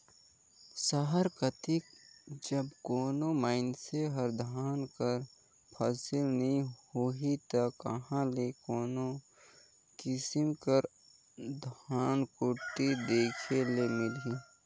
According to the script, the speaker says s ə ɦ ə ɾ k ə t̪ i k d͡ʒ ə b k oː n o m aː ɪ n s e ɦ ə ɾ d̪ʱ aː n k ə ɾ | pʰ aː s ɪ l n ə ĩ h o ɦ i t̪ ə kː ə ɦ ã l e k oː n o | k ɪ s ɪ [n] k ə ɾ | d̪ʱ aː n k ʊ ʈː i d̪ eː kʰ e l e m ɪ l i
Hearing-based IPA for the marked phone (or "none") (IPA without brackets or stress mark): m